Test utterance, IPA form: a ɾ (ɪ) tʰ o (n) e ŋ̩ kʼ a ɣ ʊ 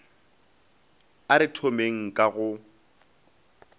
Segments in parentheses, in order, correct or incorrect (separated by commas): correct, incorrect